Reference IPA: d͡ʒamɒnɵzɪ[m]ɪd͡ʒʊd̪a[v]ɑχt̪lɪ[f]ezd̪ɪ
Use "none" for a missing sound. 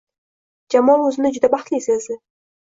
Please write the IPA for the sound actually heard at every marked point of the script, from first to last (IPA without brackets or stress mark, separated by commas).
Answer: n, b, s